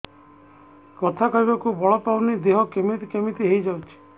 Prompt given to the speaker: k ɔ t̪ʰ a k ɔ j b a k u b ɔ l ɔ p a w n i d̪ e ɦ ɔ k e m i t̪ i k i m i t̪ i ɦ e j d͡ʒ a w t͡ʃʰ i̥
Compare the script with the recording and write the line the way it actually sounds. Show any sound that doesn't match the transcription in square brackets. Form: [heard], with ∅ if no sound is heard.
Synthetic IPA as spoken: k ɔ t̪ʰ a k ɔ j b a k u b ɔ [ɭ] ɔ p a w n i d̪ e ɦ ɔ k e m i t̪ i k [e] m i t̪ i ɦ e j d͡ʒ a w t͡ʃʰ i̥